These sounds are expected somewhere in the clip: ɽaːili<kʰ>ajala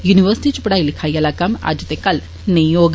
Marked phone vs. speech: correct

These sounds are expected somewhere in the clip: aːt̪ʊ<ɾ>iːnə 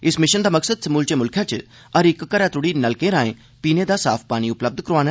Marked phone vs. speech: incorrect: ɽ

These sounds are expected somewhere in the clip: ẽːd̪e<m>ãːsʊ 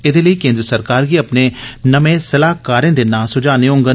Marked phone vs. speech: incorrect: n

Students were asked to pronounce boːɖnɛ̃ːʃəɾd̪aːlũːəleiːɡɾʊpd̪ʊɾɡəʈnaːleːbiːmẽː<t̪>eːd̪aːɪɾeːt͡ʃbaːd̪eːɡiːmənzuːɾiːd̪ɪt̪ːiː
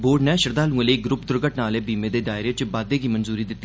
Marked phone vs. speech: incorrect: d̪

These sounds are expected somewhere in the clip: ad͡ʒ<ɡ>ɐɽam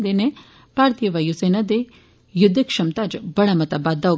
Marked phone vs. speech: incorrect: b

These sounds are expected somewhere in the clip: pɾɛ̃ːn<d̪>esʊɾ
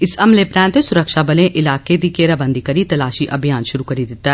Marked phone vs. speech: incorrect: t̪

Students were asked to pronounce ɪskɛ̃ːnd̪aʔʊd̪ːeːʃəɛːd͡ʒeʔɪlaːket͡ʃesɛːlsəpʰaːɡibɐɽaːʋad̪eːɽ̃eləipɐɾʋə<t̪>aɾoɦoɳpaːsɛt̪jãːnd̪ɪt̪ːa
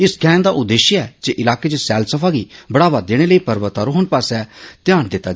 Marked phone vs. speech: correct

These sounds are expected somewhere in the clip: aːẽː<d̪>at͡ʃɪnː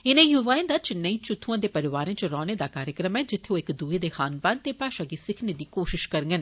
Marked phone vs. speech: correct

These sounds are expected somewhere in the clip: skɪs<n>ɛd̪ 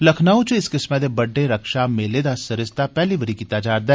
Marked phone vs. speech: incorrect: m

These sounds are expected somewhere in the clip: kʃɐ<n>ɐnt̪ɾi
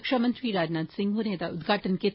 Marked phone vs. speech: incorrect: m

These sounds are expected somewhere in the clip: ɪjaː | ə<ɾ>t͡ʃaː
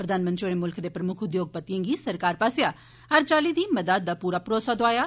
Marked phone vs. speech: correct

